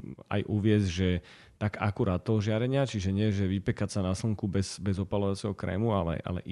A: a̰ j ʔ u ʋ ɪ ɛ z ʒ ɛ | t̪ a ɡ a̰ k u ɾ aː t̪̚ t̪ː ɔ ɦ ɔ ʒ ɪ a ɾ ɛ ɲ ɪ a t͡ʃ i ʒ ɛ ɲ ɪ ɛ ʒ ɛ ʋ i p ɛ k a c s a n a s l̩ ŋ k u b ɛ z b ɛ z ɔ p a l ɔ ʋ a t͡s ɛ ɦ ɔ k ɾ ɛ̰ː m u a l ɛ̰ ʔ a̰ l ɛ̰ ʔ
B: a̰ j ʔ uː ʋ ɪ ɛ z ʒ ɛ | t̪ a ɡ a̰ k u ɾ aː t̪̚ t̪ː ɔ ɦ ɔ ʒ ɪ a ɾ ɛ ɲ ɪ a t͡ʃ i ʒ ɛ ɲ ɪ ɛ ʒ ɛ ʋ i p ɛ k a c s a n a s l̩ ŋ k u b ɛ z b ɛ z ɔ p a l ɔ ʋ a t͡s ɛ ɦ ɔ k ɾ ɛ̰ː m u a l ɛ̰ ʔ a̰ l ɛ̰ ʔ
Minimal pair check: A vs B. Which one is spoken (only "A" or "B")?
A